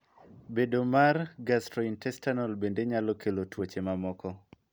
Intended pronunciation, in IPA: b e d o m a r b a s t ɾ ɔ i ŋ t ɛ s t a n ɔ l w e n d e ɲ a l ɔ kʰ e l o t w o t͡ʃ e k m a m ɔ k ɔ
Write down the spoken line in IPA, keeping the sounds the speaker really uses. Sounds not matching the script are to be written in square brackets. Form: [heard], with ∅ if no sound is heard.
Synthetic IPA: b e d o m a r [ɡ] a s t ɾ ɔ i [n] t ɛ s t a n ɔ l [b] e n d e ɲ a l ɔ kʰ e l o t w o t͡ʃ e [∅] m a m ɔ k ɔ

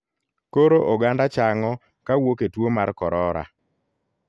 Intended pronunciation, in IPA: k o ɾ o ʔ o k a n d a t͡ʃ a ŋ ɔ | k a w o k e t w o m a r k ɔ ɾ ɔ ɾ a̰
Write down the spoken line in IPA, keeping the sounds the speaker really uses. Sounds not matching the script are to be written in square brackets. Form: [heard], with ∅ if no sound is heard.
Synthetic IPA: k o ɾ o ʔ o [ɡ] a n d a t͡ʃ a ŋ ɔ | k a w o k e t w o m a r k ɔ ɾ ɔ ɾ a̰

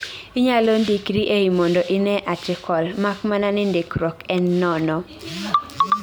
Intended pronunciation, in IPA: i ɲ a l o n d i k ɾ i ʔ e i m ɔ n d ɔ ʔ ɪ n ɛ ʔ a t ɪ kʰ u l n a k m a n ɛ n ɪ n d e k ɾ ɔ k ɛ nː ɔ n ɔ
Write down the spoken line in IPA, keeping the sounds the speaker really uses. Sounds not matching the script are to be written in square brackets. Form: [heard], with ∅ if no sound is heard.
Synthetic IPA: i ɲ a l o n d i k ɾ i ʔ e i m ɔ n d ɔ ʔ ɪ n ɛ ʔ a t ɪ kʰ [ɔ] l [m] a k m a n [a] n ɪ n d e k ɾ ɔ k ɛ nː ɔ n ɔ

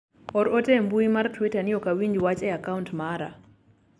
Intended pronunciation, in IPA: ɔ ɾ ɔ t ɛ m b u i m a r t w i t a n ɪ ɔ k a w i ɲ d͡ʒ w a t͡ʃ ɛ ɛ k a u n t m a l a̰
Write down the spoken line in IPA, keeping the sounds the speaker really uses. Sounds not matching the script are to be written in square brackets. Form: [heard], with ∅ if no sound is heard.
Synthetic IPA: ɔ ɾ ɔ t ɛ m b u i m a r t w i t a n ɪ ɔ k a w i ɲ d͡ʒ w a t͡ʃ ɛ [a] k a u n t m a [ɾ] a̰

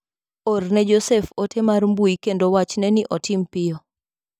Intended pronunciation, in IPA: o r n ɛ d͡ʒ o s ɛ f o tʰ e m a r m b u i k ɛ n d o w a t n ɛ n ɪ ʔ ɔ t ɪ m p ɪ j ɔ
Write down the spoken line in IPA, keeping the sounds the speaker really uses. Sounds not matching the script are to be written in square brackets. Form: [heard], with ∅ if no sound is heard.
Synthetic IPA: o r n ɛ d͡ʒ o s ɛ f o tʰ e m a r m b u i k [e] n d o w a [t͡ʃ] n ɛ n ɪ ʔ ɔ t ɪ m p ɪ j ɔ

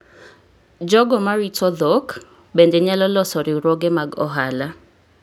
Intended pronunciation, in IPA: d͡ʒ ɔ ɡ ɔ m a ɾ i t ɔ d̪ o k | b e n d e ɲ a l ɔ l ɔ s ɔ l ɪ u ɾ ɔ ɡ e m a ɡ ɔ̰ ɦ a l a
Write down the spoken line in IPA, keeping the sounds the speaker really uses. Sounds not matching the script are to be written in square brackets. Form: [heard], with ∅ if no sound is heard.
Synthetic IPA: d͡ʒ ɔ ɡ ɔ m a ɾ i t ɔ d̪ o k | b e n d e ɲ a l ɔ l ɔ s ɔ [ɾ] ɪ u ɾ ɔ ɡ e m a ɡ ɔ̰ ɦ a l a

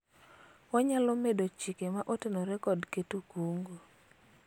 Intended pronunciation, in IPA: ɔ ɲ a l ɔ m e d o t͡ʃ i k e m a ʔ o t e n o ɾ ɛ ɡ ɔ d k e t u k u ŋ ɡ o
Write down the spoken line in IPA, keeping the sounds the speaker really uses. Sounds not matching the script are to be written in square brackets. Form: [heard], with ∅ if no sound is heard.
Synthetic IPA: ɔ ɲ a l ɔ m e d o t͡ʃ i k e m a ʔ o t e n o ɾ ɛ [k] ɔ d k e t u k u ŋ ɡ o

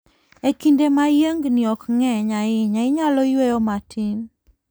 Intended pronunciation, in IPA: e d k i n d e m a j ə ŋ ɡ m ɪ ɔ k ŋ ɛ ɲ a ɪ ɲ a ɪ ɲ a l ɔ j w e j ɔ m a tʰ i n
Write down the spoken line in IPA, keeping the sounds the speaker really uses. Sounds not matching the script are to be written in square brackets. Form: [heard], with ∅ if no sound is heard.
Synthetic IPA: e [∅] k i n d e m a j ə ŋ ɡ [n] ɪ ɔ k ŋ ɛ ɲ a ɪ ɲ a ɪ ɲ a l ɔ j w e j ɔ m a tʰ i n

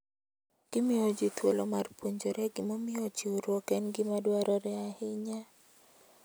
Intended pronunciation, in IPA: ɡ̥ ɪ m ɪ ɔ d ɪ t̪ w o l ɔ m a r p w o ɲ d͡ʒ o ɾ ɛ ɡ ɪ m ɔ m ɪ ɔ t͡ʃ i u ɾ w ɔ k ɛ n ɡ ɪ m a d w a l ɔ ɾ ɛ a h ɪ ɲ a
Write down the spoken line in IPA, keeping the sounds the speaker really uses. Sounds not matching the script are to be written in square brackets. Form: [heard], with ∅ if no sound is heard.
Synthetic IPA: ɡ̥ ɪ m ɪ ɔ [d͡ʒ] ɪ t̪ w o l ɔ m a r p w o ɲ d͡ʒ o ɾ ɛ ɡ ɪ m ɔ m ɪ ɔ t͡ʃ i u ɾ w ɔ k ɛ n ɡ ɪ m a d w a [ɾ] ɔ ɾ ɛ a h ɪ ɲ a

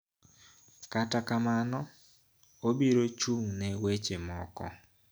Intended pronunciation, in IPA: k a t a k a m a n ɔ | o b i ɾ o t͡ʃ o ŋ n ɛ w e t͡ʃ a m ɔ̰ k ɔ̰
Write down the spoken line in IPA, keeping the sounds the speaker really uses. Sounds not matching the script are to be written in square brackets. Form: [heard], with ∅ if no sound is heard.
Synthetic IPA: k a t a k a m a n ɔ | o b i ɾ o t͡ʃ [u] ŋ n ɛ w e t͡ʃ [e] m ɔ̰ k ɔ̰

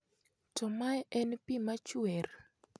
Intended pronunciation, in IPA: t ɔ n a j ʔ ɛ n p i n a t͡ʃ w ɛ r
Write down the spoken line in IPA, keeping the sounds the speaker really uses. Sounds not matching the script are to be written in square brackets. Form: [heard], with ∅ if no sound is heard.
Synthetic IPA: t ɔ [m] a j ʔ ɛ n p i [m] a t͡ʃ w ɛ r

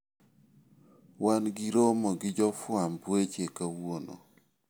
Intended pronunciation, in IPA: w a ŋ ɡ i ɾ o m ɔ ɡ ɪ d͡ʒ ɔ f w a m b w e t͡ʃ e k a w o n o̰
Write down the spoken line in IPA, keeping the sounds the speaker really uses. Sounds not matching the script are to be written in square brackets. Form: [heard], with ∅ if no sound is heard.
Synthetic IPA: w a [n] ɡ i ɾ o m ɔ ɡ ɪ d͡ʒ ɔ f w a m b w e t͡ʃ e k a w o n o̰

